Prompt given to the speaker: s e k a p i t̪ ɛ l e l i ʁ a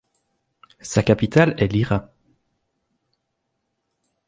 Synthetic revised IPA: s a k a p i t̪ a l ɛ l i ʁ a